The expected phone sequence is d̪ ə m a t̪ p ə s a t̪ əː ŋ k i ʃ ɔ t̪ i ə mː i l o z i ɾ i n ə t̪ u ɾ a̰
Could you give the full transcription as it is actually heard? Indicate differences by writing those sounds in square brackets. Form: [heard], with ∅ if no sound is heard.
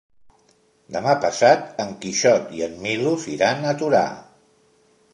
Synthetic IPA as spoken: d̪ ə m a [∅] p ə s a t̪ [ə] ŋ k i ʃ ɔ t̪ i ə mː i l [u] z i ɾ [a] n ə t̪ u ɾ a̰